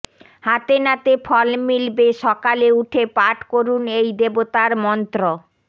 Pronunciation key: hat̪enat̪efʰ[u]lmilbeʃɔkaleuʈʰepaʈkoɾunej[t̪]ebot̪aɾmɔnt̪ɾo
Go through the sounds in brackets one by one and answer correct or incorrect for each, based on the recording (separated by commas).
incorrect, incorrect